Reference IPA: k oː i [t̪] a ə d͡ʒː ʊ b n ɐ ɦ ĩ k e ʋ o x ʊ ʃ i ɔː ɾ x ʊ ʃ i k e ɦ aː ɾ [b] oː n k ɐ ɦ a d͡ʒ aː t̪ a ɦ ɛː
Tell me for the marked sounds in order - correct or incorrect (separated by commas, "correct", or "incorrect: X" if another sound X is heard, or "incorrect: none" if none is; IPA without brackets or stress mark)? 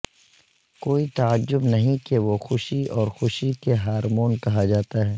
correct, incorrect: m